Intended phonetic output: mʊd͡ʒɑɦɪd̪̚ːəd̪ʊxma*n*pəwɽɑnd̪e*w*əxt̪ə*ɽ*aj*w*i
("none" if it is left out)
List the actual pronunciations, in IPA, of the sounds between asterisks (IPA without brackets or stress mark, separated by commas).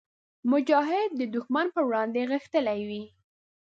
n, ɣ, l, w